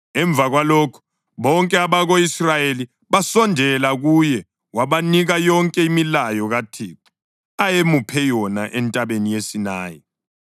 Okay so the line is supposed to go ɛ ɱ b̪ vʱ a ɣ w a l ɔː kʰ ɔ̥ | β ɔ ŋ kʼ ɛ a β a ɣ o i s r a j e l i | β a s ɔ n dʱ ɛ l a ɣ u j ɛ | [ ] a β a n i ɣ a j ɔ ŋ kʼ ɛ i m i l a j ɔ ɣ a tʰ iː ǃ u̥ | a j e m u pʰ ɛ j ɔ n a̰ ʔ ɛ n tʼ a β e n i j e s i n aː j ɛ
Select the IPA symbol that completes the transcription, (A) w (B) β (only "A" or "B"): A